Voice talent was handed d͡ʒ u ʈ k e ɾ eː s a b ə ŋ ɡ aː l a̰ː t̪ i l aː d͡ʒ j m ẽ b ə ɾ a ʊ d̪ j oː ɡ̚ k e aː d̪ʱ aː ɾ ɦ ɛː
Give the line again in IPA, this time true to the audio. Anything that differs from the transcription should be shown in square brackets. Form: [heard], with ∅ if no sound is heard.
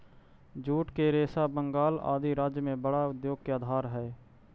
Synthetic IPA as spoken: d͡ʒ [uː] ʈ k e ɾ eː s a b ə ŋ ɡ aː l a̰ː [d̪] i [ɾ] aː d͡ʒ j m ẽ b ə [ɽ] a ʊ d̪ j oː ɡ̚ k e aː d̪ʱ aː ɾ ɦ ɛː